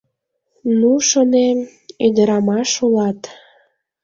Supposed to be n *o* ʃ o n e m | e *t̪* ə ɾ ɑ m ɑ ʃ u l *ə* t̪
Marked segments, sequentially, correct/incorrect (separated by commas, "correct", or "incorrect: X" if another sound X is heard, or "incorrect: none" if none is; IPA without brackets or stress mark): incorrect: u, incorrect: d̪, incorrect: ɑ